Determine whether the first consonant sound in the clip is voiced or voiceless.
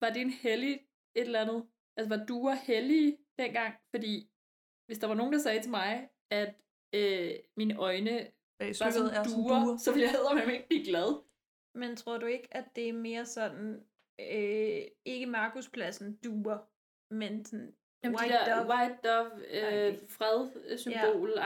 voiced